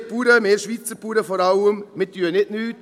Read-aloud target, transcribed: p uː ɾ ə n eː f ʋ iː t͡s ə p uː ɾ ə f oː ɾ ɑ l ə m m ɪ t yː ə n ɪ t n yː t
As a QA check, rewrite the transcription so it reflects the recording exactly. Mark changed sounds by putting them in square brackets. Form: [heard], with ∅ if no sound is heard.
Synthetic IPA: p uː ɾ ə [m] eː [ʃ] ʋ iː t͡s ə p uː ɾ ə f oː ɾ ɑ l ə m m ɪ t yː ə n ɪ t n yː t